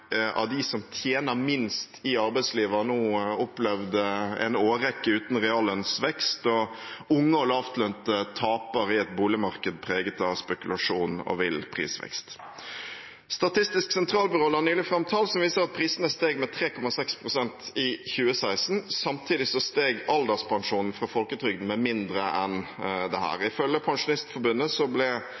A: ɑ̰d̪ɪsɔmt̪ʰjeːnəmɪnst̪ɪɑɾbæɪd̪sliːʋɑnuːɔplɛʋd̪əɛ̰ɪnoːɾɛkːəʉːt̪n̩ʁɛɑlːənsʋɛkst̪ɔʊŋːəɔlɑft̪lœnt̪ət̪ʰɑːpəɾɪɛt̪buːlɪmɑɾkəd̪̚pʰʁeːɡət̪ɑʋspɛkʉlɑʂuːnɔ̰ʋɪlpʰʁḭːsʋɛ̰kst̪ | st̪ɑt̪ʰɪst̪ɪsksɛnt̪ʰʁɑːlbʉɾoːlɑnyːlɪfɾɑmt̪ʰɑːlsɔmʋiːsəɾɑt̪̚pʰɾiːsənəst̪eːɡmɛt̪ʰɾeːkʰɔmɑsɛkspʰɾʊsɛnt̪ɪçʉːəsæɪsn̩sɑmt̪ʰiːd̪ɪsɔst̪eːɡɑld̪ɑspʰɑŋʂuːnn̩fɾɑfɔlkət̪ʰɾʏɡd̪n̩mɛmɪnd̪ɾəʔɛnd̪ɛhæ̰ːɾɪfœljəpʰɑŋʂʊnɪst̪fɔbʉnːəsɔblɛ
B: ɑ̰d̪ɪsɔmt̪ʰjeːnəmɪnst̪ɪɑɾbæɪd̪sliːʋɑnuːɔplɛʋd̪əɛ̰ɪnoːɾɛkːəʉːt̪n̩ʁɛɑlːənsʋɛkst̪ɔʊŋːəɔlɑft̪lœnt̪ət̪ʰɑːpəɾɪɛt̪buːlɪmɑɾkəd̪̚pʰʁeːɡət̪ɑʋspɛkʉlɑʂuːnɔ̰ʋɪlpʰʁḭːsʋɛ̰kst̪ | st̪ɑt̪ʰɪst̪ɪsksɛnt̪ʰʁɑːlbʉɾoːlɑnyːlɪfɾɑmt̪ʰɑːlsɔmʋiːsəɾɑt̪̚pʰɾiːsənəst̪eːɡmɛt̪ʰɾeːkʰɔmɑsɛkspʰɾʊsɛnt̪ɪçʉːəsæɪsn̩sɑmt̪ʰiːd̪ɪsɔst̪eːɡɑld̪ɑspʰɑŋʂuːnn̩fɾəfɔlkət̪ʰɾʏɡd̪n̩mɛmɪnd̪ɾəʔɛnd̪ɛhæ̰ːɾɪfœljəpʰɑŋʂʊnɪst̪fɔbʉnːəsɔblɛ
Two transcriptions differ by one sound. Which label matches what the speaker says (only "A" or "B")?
A